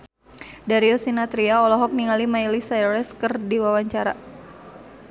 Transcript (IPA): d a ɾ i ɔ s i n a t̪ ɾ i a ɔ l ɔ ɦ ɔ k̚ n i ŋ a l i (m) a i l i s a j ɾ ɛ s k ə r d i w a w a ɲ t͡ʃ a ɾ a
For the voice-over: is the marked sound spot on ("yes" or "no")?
yes